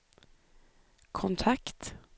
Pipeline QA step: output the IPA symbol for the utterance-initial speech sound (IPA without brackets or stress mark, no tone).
kʰ